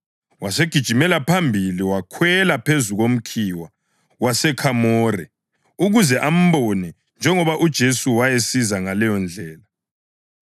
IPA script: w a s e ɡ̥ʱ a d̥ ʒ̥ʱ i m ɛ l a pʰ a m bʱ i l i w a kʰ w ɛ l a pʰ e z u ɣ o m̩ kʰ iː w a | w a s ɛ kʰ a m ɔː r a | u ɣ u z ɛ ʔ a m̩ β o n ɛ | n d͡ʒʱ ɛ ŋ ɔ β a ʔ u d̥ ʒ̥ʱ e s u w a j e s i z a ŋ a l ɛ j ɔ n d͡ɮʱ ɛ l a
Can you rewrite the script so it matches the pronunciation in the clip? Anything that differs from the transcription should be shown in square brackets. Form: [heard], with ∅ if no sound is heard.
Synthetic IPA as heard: w a s e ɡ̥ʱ [i] d̥ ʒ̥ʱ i m ɛ l a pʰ a m bʱ i l i w a kʰ w ɛ l a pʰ e z u ɣ o m̩ kʰ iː w a | w a s ɛ kʰ a m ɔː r [ɛ] | u ɣ u z ɛ ʔ a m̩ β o n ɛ | n d͡ʒʱ ɛ ŋ ɔ β a ʔ u d̥ ʒ̥ʱ e s u w a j e s i z a ŋ a l ɛ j ɔ n d͡ɮʱ [ɛː] l a